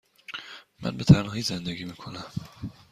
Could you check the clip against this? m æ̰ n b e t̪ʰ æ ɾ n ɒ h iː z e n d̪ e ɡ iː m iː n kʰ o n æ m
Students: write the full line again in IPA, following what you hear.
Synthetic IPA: m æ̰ n b e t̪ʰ æ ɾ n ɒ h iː z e n d̪ e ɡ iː m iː kʰ o n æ m